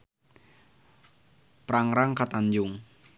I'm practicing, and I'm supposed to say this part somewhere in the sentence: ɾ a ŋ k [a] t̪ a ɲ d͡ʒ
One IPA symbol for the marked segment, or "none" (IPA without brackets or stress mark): a